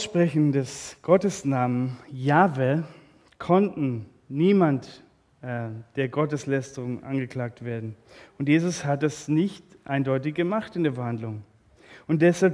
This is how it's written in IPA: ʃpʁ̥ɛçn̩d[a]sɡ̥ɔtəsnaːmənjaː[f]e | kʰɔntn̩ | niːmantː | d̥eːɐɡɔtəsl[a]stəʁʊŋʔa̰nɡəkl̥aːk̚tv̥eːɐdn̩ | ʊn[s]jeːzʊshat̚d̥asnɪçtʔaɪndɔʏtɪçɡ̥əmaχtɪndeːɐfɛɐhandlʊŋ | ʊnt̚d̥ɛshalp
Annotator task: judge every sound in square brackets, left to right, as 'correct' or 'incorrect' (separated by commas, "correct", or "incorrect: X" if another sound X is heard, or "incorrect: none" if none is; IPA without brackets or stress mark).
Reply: incorrect: ɛ, incorrect: v, incorrect: ɛ, incorrect: t